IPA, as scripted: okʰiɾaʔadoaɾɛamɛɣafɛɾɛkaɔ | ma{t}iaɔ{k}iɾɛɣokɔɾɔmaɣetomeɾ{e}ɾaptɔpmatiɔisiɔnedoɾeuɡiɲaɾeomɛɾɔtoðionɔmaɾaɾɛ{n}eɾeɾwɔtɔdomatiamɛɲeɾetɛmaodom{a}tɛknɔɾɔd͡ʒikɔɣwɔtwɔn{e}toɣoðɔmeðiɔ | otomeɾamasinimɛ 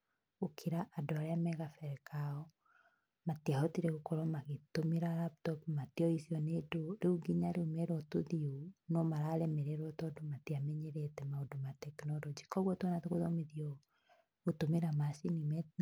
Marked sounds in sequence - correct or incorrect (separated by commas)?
correct, incorrect, incorrect, incorrect, correct, incorrect